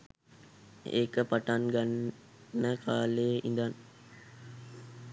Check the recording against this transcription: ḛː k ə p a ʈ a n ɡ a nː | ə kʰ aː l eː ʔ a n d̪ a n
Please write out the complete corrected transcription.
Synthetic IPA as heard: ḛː k ə p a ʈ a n ɡ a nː | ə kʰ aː l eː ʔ i n d̪ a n